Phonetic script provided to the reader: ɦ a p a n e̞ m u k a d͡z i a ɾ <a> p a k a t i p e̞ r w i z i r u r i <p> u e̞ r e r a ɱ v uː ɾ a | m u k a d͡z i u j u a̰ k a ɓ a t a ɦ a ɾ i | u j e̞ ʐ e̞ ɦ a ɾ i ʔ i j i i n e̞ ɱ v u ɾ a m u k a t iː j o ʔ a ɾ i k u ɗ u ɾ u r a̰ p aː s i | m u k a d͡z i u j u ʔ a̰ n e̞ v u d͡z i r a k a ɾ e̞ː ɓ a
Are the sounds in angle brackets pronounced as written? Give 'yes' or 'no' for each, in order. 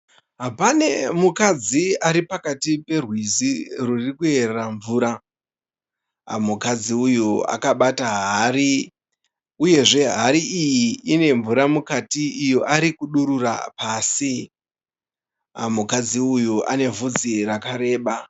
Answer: no, no

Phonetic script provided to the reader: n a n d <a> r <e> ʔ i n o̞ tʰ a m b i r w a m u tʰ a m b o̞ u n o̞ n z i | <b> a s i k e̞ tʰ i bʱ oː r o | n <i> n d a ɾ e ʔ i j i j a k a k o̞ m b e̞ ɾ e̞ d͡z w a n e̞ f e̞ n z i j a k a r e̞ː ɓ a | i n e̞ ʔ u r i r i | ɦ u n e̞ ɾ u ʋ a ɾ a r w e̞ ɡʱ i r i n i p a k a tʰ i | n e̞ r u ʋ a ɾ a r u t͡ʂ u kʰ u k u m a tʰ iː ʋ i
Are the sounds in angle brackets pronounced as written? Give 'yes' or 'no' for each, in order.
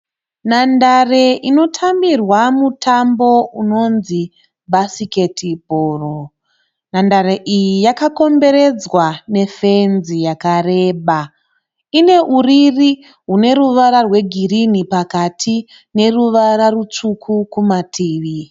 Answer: yes, yes, yes, no

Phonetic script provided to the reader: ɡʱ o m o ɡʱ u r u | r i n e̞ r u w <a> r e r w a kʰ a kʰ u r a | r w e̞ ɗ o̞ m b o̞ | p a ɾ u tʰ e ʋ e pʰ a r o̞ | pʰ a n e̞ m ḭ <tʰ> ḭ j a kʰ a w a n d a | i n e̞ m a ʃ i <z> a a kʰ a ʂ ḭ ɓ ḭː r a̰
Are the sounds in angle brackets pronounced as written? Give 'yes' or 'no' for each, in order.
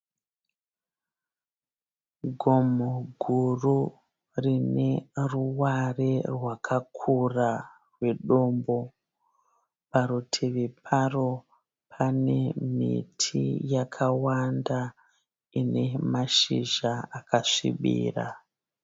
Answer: yes, yes, no

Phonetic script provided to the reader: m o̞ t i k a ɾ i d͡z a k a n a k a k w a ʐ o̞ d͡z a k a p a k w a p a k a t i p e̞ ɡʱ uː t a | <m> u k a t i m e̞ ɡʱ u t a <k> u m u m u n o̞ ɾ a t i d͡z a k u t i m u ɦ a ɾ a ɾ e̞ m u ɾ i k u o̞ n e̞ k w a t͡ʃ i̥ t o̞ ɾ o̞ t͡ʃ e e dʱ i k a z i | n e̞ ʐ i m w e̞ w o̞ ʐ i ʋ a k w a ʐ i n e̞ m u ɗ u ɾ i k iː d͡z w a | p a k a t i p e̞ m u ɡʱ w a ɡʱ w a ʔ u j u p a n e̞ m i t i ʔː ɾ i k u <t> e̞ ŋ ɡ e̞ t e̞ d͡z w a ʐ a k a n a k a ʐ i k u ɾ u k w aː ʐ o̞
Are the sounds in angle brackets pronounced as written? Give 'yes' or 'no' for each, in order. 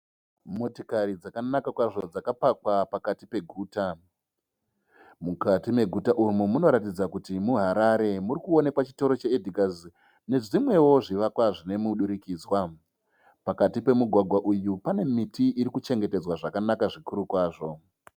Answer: yes, no, no

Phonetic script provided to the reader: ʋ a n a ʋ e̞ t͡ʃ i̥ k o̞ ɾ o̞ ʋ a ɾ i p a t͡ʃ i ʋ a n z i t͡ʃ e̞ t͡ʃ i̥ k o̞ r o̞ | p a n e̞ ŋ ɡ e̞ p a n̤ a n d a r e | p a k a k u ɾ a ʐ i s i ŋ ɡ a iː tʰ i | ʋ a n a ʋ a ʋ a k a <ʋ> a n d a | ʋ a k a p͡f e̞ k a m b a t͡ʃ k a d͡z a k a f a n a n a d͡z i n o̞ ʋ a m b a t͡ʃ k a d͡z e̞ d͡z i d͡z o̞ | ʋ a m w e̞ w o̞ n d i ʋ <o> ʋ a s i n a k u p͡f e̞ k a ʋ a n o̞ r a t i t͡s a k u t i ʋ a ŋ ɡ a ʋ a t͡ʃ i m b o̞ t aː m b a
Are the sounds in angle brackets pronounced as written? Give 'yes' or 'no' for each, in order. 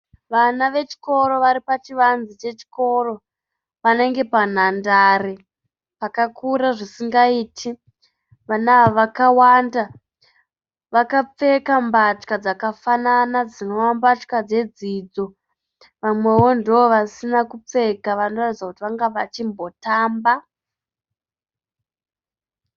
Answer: no, yes

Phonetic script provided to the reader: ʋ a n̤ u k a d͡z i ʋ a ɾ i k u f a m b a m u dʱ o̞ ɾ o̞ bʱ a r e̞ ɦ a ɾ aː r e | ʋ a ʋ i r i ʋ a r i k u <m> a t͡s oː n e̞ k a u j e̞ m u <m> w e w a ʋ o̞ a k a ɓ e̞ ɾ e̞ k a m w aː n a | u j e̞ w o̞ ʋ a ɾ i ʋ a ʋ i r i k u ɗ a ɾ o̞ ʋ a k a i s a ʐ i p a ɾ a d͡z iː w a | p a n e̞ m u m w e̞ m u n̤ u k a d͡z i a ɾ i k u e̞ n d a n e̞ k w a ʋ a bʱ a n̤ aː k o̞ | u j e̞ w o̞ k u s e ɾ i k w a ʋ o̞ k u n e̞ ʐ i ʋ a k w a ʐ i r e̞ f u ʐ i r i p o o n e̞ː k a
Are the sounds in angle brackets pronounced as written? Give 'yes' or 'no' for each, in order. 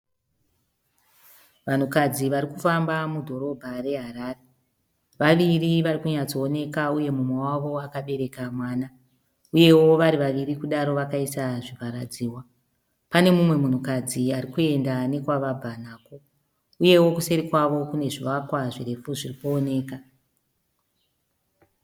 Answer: no, yes

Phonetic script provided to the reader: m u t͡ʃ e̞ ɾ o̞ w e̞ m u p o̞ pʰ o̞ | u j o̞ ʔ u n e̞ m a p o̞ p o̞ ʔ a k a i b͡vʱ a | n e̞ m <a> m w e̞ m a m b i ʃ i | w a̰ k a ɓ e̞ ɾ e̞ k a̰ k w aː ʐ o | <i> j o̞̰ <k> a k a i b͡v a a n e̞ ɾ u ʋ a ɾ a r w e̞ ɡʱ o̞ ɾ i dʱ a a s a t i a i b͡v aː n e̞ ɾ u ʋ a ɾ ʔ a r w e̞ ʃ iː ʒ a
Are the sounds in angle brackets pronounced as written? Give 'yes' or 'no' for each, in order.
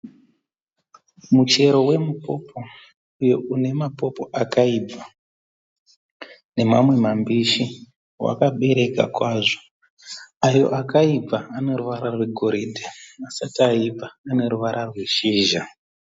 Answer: yes, no, no

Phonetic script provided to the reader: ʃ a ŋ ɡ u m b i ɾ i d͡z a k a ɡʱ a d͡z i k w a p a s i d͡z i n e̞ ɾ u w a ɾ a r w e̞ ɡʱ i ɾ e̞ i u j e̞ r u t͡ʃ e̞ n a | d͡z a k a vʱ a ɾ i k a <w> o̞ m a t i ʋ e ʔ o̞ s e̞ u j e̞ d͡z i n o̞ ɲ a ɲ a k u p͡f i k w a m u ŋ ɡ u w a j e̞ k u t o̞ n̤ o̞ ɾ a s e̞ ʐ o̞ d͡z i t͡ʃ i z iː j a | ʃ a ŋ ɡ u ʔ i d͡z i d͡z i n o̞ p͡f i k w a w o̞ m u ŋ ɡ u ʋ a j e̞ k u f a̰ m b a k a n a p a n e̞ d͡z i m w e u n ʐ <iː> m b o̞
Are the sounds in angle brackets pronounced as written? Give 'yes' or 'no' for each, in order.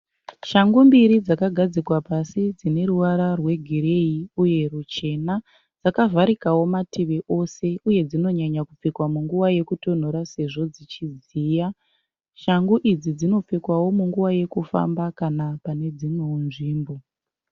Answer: yes, yes

